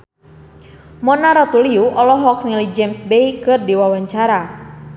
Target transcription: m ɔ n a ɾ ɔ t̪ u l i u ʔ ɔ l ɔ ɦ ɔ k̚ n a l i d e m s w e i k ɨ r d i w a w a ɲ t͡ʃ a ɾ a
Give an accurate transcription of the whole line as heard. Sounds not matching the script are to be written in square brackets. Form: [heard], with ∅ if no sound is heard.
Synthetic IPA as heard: m ɔ n a ɾ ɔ t̪ u l i u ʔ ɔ l ɔ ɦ ɔ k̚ n [i] l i [d͡ʒ] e m s [b] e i k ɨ r d i w a w a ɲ t͡ʃ a ɾ a

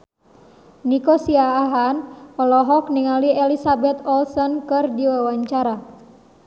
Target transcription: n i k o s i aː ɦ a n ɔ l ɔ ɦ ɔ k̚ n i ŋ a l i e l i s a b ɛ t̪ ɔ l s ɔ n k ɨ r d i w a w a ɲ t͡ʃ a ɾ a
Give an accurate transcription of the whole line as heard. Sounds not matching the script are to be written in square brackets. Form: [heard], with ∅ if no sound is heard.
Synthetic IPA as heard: n i k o s i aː ɦ a n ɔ l ɔ ɦ ɔ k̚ n i ŋ a l i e l i s a b ɛ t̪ ɔ l s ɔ n k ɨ r d i w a w a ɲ t͡ʃ a ɾ a

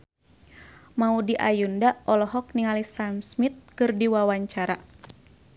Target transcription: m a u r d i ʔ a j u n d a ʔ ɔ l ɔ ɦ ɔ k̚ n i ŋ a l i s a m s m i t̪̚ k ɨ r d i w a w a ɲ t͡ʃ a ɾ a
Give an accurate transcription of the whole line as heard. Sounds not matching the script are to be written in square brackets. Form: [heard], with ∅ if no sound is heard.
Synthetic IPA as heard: m a u [∅] d i ʔ a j u n d a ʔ ɔ l ɔ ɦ ɔ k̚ n i ŋ a l i s a m s m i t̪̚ k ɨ r d i w a w a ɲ t͡ʃ a ɾ a

